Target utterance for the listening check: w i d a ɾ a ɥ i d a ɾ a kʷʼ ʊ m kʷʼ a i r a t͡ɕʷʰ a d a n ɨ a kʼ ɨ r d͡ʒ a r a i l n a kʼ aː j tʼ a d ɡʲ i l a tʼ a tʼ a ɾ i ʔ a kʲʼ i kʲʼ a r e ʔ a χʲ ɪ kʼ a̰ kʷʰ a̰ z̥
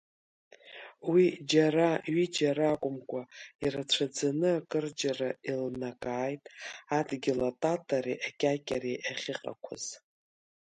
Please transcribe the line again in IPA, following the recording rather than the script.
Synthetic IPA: w i d͡ʒ a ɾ a ɥ i d͡ʒ a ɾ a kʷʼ ʊ m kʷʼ a i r a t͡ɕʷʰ a d͡z a n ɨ a kʼ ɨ r d͡ʒ a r a i l n a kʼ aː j tʼ a d ɡʲ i l a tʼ a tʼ a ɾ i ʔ a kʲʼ a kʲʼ a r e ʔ a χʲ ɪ qʼ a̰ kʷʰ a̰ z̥